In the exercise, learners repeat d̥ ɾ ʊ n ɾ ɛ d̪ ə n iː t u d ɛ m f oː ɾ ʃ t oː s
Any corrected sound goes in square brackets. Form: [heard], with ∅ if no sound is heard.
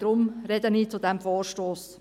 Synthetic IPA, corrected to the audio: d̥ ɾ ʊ [m] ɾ ɛ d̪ ə n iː [t͡s] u d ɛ m f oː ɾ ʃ t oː s